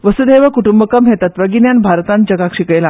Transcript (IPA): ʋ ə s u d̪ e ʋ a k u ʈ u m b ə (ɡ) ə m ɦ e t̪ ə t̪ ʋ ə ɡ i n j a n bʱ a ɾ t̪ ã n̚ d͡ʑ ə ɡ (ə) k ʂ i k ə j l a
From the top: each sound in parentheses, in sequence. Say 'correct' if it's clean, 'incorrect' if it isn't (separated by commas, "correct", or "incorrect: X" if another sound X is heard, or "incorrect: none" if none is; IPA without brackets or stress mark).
incorrect: k, incorrect: a